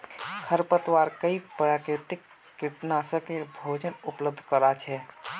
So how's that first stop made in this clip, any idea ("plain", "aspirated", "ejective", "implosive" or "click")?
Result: aspirated